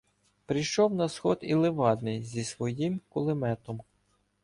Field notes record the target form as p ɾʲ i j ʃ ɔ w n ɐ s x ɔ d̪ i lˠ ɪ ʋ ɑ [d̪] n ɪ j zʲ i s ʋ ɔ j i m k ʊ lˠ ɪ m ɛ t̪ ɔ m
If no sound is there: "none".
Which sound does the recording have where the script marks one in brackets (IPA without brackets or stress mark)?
d̪